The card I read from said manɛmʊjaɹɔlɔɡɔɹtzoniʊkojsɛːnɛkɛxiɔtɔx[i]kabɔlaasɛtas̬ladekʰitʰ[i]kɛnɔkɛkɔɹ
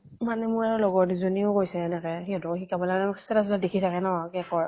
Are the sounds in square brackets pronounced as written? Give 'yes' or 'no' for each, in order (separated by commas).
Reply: yes, no